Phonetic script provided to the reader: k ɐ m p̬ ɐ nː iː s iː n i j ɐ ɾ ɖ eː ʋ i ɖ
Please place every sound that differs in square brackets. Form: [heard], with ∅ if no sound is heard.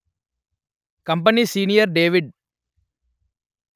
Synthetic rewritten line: k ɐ m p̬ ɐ [n] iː s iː n i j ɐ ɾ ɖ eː ʋ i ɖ

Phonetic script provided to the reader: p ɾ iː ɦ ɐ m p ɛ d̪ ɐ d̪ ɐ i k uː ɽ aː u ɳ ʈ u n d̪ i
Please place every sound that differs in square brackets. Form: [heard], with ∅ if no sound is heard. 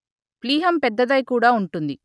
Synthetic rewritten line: p [l] iː ɦ ɐ m p ɛ [d̪ː] ɐ d̪ ɐ [j] k uː ɽ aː u ɳ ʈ u n d̪ i

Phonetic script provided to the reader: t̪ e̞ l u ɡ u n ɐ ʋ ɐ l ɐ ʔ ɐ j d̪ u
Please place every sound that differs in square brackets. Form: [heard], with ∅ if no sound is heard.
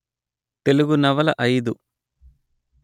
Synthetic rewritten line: t̪ e̞ l u ɡ u n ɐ ʋ ɐ l ɐ ʔ ɐ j d̪ u

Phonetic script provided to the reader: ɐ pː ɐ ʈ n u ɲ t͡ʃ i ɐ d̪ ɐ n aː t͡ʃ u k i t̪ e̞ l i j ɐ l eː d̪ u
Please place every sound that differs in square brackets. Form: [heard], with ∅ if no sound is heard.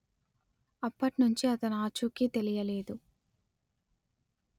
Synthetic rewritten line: ɐ pː ɐ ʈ n u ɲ t͡ʃ i ɐ [t̪] ɐ n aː t͡ʃ u k i t̪ e̞ l i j ɐ l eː d̪ u

